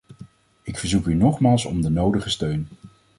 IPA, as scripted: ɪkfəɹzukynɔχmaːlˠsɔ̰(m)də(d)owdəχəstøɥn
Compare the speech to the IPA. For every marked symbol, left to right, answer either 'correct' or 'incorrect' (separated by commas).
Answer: correct, incorrect